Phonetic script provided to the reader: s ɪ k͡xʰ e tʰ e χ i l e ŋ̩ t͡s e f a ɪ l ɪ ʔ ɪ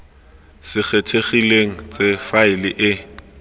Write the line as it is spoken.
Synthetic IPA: s ɪ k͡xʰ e tʰ e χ i l e ŋ̩ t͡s e f a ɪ l ɪ ʔ ɪ